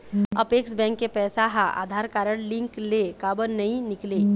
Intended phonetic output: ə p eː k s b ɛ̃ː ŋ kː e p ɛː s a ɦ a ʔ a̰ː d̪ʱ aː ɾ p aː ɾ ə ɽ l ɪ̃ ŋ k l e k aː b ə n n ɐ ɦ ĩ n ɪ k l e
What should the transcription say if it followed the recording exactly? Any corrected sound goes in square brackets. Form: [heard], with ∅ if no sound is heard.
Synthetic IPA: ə p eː k s b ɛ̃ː ŋ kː e p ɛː s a ɦ a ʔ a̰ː d̪ʱ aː ɾ [k] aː ɾ ə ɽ l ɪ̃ ŋ k l e k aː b ə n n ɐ ɦ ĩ n ɪ k l e